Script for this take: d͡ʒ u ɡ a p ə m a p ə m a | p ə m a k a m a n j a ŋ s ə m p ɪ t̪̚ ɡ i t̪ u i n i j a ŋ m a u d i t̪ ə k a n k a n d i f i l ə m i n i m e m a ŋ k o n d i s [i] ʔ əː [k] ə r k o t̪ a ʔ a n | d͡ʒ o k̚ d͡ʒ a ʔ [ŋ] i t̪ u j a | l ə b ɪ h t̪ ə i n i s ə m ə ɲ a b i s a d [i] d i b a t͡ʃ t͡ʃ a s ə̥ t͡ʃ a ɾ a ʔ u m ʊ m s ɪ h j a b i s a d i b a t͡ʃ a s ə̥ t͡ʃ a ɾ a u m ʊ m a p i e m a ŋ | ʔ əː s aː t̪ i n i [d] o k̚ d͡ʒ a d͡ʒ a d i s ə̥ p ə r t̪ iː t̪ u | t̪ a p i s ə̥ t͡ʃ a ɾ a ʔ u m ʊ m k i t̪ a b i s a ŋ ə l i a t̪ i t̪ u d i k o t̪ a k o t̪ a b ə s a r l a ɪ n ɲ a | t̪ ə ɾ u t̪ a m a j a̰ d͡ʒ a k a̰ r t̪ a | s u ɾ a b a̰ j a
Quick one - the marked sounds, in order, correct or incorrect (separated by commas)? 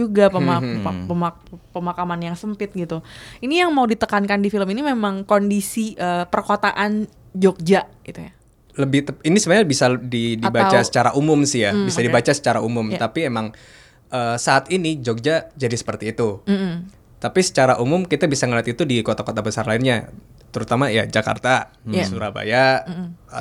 correct, incorrect, incorrect, correct, incorrect